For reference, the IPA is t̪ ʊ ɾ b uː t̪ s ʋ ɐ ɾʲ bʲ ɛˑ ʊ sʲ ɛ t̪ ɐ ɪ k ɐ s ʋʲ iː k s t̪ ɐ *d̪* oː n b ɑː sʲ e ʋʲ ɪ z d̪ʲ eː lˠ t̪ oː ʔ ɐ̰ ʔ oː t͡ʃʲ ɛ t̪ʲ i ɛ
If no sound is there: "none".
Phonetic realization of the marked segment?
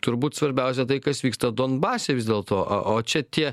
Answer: d̪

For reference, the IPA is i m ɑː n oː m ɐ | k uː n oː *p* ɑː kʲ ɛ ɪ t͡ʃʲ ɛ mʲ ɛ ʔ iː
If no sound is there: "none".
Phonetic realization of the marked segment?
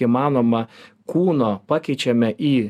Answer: p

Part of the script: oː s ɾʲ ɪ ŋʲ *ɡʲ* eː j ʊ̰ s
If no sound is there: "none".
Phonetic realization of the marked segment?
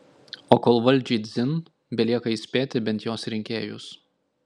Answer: kʲ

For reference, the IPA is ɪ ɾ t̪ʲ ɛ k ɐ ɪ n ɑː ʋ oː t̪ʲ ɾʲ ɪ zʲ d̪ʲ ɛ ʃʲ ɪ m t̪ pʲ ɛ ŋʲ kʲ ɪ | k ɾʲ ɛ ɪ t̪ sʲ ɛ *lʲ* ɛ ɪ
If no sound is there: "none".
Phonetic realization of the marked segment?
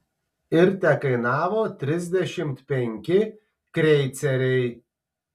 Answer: ɾʲ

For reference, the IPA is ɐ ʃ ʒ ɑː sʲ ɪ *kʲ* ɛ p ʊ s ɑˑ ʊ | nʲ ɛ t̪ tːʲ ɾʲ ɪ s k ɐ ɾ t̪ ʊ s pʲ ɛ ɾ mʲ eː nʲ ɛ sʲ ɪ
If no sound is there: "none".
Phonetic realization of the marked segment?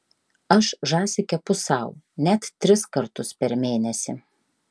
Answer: kʲ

